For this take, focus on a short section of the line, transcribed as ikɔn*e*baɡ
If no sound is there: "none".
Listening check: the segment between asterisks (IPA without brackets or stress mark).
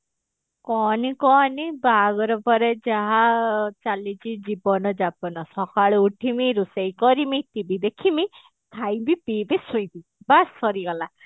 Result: i